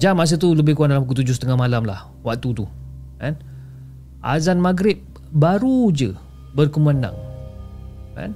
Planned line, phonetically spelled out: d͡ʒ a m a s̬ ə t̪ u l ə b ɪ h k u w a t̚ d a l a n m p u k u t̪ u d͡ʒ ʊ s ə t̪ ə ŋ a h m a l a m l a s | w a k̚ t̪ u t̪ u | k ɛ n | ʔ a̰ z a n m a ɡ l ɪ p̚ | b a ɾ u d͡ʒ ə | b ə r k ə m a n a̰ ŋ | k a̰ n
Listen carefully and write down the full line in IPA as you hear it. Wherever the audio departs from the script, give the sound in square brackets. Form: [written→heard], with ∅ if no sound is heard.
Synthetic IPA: d͡ʒ a m a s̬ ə t̪ u l ə b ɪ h k u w a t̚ d a l a [n→∅] m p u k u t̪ u d͡ʒ ʊ s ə t̪ ə ŋ a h m a l a m l a [s→h] | w a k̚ t̪ u t̪ u | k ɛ n | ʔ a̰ z a n m a ɡ [l→ɾ] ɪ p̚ | b a ɾ u d͡ʒ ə | b ə r k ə m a n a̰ ŋ | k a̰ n